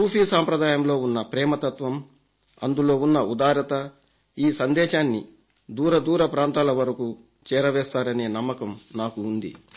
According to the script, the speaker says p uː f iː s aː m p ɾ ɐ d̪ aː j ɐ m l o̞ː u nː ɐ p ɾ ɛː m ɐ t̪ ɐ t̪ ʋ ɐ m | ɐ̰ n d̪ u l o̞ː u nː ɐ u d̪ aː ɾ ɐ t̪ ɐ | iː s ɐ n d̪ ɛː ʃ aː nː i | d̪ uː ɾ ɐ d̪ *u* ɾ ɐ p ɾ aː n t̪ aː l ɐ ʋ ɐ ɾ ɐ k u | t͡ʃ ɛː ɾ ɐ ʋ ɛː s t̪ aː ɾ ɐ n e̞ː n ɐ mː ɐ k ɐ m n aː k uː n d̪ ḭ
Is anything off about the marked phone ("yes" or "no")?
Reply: yes